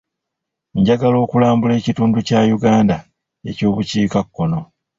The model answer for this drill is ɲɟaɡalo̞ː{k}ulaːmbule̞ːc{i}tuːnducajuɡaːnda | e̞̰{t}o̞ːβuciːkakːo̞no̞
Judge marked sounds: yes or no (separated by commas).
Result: yes, yes, no